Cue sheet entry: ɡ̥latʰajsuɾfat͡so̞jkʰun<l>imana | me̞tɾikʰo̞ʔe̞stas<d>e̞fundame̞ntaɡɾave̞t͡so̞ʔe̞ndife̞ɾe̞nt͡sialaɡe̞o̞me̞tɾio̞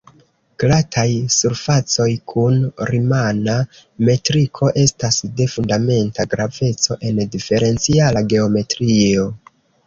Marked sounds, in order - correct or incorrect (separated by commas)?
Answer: incorrect, correct